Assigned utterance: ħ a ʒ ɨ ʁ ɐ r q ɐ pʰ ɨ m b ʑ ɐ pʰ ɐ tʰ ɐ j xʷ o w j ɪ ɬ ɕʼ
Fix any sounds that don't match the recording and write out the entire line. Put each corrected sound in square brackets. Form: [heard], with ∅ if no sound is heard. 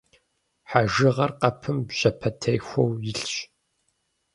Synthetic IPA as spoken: ħ a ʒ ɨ ʁ ɐ r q ɐ pʰ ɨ m b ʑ ɐ pʰ ɐ tʰ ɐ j xʷ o w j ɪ ɬ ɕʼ